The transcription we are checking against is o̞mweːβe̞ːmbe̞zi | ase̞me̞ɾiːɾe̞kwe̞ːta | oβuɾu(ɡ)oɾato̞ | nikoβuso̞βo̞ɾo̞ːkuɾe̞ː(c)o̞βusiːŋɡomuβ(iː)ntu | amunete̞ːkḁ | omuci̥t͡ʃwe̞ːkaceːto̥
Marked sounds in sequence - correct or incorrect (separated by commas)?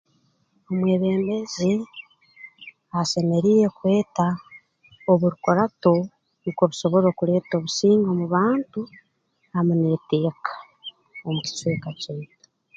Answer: incorrect, incorrect, incorrect